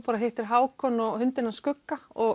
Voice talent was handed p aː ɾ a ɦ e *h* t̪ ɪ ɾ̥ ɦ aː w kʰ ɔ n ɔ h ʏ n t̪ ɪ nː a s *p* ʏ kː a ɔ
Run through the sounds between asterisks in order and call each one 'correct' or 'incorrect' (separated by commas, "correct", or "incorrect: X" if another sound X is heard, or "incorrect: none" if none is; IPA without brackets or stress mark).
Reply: correct, incorrect: k